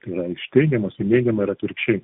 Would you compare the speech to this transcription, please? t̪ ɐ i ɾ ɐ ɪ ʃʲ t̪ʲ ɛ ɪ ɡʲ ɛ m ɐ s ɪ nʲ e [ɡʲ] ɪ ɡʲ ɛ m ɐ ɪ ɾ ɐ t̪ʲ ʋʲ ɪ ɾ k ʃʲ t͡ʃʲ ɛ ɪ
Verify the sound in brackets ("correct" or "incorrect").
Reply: incorrect